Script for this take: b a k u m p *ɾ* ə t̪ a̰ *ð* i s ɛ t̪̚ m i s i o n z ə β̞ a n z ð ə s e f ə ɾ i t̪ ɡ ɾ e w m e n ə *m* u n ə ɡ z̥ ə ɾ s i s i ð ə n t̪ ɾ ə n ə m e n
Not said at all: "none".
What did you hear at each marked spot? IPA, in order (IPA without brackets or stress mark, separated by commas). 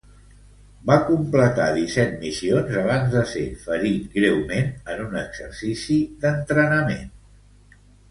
l, ð, n